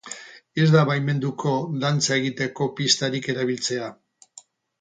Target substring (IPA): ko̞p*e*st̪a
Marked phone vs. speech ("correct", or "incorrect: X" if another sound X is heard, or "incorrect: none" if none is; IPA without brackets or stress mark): incorrect: i